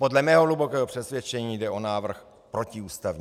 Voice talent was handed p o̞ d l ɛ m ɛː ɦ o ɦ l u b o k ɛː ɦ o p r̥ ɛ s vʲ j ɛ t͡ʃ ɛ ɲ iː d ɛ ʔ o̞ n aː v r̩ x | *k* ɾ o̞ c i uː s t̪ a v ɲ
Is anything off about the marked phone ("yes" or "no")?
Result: yes